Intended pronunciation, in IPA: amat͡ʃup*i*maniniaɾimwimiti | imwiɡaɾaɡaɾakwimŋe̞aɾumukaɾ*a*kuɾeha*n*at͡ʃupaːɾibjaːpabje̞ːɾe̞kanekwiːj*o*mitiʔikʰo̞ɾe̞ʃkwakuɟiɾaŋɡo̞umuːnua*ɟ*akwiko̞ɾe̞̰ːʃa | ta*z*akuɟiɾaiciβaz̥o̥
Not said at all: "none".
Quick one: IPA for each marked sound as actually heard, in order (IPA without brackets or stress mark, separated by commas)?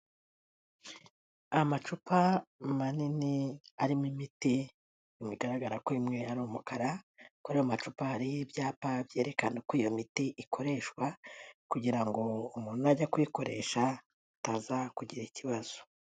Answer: a, a, m, o, ɟ, z